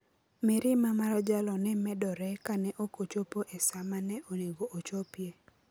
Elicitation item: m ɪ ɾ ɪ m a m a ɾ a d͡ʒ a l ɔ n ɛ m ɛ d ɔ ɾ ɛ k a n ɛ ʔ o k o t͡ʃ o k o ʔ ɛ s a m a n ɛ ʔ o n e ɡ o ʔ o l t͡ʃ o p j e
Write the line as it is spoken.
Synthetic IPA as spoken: m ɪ ɾ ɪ m a m a ɾ a d͡ʒ a l ɔ n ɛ m ɛ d ɔ ɾ ɛ k a n ɛ ʔ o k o t͡ʃ o p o ʔ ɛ s a m a n ɛ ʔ o n e ɡ o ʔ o t͡ʃ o p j e

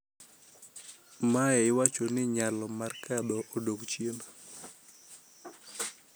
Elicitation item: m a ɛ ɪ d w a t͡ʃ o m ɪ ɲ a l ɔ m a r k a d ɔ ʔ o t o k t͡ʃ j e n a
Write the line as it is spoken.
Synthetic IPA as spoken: m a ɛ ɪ w a t͡ʃ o n ɪ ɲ a l ɔ m a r k a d ɔ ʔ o d o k t͡ʃ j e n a

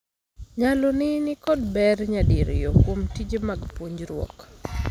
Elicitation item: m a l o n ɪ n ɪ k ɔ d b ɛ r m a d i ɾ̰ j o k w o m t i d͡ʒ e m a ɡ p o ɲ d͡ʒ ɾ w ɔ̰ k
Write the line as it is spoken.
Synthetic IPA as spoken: ɲ a l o n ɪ n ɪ k ɔ d b ɛ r ɲ a d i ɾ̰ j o k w o m t i d͡ʒ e m a ɡ p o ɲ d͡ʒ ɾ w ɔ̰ k

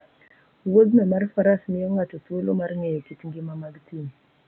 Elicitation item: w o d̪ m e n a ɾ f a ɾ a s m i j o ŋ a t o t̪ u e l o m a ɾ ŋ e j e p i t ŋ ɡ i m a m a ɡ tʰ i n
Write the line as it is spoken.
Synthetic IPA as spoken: w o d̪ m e m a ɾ f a ɾ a s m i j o ŋ a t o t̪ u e l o m a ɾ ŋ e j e k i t ŋ ɡ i m a m a ɡ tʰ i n

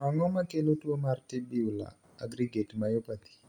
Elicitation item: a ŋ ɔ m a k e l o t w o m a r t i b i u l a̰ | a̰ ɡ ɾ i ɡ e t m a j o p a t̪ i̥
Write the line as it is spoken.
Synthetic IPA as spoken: a ŋ ɔ m a k e l o t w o m a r t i b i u l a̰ | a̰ ɡ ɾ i ɡ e t m a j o p a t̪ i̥

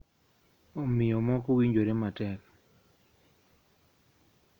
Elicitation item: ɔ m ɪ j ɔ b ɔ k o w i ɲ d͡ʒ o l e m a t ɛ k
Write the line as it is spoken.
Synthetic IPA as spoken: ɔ m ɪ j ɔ m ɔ k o w i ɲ d͡ʒ o ɾ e m a t ɛ k

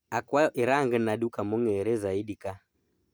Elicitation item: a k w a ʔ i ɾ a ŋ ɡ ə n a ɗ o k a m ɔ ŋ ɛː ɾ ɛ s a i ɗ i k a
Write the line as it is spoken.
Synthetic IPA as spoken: a k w a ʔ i ɾ a ŋ ɡ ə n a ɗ u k a m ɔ ŋ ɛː ɾ ɛ z a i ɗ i k a

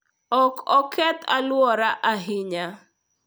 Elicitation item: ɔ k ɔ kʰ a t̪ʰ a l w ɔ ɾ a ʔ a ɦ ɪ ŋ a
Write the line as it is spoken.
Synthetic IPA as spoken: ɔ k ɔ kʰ ɛ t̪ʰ a l w ɔ ɾ a ʔ a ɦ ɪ ɲ a

